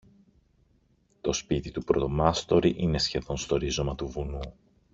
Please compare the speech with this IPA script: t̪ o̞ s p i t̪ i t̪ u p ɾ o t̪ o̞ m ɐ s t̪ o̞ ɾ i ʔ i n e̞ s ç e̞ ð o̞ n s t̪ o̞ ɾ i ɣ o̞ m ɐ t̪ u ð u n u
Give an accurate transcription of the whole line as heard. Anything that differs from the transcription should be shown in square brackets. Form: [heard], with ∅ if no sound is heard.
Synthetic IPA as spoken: t̪ o̞ s p i t̪ i t̪ u p ɾ o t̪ o̞ m ɐ s t̪ o̞ ɾ i ʔ i n e̞ s ç e̞ ð o̞ n s t̪ o̞ ɾ i [z] o̞ m ɐ t̪ u [v] u n u